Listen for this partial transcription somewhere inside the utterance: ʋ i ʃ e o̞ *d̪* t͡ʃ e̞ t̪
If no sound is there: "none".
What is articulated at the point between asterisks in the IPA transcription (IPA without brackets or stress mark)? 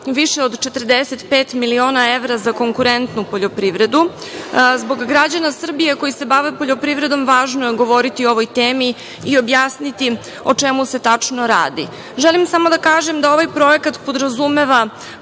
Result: d̪